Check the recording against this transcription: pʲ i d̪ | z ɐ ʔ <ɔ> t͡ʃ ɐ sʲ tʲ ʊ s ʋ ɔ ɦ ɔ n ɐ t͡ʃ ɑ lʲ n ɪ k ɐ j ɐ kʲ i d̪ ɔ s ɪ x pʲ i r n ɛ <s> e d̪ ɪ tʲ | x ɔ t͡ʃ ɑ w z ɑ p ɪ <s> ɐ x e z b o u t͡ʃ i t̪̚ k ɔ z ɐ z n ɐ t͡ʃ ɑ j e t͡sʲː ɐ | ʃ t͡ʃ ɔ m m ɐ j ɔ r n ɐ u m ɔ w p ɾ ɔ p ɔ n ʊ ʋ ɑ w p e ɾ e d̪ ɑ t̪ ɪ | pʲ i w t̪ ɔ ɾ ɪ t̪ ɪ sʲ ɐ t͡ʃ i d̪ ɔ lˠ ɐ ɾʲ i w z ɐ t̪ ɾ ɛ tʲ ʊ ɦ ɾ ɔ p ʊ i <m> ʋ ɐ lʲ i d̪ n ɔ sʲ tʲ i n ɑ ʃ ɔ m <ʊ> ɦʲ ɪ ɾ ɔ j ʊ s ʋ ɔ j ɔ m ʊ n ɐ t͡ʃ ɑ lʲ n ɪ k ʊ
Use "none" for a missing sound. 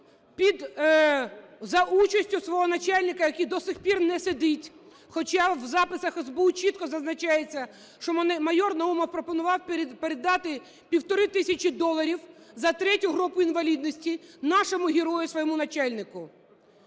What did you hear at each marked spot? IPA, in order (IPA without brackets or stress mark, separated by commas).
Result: u, s, s, n, ʊ